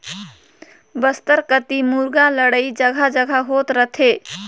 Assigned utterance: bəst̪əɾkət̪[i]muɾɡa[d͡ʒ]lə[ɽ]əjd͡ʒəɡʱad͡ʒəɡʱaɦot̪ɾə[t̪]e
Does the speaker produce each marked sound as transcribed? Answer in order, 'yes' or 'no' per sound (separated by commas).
yes, no, yes, no